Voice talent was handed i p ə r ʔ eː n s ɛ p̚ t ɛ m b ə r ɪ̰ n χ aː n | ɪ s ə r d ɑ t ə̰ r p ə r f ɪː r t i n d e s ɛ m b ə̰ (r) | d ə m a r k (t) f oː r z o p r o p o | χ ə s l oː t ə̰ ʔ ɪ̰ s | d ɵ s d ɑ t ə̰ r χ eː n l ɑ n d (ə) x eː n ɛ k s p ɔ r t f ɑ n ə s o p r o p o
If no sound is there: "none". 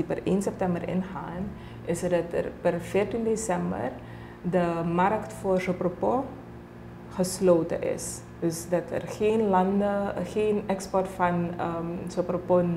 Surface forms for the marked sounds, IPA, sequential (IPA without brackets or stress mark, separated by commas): r, t, ə